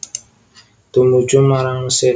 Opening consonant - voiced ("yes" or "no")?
no